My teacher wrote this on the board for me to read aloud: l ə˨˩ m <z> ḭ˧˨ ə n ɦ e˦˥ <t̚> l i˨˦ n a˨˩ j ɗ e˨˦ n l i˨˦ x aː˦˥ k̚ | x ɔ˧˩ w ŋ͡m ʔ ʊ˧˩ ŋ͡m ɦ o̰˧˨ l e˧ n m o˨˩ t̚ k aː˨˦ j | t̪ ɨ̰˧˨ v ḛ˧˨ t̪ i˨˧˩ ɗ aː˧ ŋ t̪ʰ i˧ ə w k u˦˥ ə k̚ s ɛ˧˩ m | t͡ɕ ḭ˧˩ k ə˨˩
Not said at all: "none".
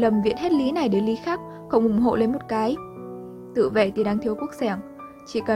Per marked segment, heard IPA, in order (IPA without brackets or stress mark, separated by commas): v, t̚